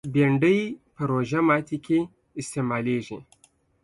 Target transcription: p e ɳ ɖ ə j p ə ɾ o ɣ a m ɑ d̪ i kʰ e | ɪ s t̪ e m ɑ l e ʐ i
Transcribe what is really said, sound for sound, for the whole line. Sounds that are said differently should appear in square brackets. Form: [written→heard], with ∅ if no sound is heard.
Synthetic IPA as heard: [p→b] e ɳ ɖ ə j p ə ɾ o [ɣ→ʒ] a m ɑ [d̪→t̪] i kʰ e | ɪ s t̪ e m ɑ l e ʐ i